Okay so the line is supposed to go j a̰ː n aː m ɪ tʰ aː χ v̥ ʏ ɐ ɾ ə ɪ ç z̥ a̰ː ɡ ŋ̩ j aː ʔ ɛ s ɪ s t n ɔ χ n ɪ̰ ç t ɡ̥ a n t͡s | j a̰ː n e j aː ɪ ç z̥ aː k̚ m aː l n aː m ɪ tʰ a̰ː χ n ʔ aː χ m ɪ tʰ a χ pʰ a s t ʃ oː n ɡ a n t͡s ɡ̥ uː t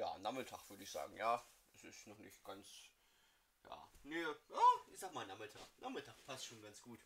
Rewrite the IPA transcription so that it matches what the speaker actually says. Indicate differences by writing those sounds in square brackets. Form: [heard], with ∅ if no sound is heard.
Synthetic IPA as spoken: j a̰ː n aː m ɪ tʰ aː χ v̥ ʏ ɐ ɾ ə ɪ ç z̥ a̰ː ɡ ŋ̩ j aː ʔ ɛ s ɪ s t n ɔ χ n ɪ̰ ç t ɡ̥ a n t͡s | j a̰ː n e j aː ɪ ç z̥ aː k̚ m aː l n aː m ɪ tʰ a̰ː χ n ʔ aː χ m ɪ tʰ a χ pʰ a s t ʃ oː n ɡ a n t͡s ɡ̥ uː t